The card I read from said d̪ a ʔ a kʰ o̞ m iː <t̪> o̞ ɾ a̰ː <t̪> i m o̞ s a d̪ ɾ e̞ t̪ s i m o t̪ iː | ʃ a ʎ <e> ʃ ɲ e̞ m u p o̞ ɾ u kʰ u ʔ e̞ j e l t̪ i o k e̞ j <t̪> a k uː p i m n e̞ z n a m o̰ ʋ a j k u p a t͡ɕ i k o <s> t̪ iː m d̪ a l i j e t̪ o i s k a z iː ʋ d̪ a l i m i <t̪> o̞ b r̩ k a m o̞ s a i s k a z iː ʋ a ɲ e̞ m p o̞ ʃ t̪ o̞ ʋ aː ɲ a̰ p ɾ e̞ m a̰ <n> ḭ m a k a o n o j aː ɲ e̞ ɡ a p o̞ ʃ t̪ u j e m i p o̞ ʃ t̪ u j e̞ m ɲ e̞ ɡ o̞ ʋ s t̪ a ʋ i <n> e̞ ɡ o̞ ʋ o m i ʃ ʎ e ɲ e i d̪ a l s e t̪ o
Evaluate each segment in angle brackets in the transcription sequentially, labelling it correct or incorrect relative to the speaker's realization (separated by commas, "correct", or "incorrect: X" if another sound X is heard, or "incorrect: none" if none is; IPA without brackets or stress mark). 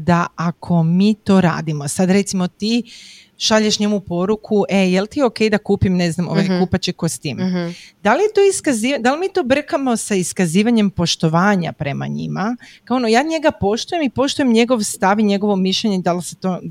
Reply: correct, incorrect: d̪, correct, incorrect: d̪, correct, correct, incorrect: ɲ, incorrect: ɲ